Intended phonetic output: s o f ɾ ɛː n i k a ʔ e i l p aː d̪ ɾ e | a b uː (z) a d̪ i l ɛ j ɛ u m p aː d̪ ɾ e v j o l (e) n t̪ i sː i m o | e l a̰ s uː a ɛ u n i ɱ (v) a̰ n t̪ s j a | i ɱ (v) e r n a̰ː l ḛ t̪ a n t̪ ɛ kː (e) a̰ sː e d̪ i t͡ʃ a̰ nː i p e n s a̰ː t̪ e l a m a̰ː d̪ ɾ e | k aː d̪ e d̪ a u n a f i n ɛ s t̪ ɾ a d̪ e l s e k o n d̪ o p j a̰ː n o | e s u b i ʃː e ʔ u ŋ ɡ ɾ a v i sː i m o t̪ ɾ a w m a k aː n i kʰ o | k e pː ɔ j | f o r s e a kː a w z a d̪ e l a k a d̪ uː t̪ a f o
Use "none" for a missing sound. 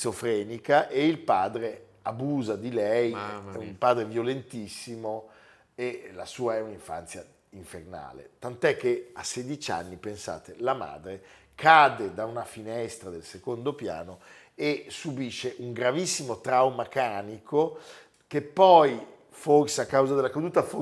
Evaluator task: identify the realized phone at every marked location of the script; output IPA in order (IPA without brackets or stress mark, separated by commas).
z, e, f, f, e